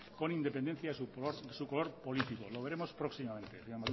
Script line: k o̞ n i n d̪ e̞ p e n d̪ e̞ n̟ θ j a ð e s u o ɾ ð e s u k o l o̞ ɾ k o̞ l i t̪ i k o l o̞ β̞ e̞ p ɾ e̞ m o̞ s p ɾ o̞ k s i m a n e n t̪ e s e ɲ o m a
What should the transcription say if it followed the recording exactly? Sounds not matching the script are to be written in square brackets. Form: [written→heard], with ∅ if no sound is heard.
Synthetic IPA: k o̞ n i n d̪ e̞ p e n d̪ e̞ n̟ θ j a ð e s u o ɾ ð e s u k o l o̞ ɾ [k→p] o̞ l i t̪ i k o l o̞ β̞ e̞ [p→∅] ɾ e̞ m o̞ s p ɾ o̞ k s i m a [n→m] e n t̪ e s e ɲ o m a